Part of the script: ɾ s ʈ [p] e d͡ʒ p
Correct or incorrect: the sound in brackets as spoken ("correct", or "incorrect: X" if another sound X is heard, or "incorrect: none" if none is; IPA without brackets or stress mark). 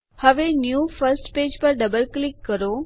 correct